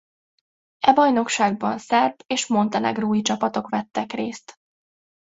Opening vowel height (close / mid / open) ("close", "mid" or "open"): mid